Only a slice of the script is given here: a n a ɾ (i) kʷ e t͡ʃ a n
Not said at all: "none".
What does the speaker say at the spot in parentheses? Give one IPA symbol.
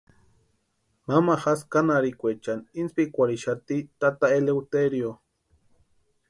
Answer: i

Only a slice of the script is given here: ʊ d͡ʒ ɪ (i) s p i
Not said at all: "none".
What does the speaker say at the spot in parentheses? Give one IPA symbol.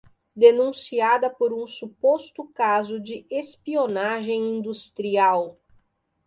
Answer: e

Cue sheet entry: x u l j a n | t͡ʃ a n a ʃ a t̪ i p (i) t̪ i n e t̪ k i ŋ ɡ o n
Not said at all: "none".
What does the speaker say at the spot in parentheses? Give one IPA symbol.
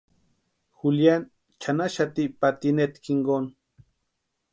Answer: a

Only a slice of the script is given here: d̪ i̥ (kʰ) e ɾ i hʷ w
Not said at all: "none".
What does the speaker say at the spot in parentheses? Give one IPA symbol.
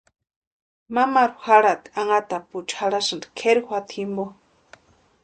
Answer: kʰ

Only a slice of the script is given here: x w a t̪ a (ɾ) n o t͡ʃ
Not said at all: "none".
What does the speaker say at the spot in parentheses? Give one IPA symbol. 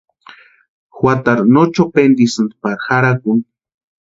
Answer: ɾ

